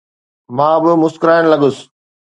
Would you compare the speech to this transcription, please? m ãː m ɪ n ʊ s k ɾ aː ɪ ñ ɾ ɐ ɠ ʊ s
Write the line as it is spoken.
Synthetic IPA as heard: m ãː b ɪ m ʊ s k ɾ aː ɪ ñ l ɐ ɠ ʊ s